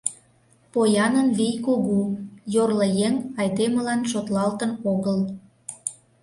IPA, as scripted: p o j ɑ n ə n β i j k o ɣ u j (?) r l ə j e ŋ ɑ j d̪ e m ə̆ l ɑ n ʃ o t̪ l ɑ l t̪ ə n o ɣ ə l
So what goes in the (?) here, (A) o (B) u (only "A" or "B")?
A